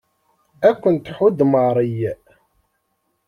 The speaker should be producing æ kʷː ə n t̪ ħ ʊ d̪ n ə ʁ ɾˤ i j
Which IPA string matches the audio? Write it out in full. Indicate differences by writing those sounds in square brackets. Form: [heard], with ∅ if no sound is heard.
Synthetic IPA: æ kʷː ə n t̪ ħ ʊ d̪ [m] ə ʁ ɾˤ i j

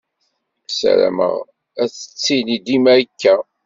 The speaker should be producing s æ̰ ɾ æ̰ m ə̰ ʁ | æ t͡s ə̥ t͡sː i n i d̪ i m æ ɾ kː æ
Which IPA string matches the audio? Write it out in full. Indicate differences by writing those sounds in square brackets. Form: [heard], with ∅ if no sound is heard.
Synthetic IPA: s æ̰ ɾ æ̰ m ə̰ ʁ | æ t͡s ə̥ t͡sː i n i d̪ i m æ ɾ kː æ

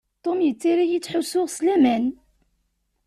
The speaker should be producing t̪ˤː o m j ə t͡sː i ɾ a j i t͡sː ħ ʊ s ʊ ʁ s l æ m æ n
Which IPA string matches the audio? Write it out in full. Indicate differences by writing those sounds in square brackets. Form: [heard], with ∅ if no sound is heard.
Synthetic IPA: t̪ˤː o m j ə t͡sː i ɾ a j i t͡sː ħ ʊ s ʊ ʁ s l æ m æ n

